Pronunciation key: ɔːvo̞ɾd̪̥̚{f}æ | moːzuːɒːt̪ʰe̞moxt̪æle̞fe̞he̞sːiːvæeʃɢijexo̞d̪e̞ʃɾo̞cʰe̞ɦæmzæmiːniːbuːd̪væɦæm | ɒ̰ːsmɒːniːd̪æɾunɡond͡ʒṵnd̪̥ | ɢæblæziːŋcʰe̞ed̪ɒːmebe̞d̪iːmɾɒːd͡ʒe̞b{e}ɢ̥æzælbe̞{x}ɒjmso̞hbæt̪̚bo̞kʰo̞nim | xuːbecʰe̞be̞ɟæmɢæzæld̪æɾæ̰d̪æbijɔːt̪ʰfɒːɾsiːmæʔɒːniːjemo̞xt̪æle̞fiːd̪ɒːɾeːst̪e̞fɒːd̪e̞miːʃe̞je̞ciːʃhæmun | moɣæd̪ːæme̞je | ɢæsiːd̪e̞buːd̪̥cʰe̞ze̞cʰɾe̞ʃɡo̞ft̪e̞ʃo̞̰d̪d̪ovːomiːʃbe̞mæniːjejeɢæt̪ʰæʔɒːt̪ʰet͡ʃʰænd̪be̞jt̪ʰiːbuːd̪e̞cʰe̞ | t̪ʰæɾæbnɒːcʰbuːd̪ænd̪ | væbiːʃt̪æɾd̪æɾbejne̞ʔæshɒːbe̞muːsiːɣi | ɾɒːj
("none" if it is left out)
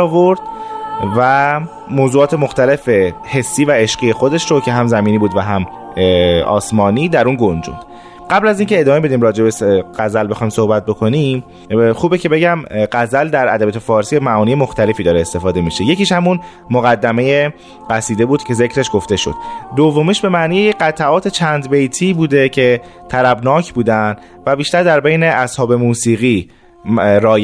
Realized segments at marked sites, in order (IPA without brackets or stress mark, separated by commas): v, e, x